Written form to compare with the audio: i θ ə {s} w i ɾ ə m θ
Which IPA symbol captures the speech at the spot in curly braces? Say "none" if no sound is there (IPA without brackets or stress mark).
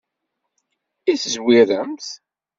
z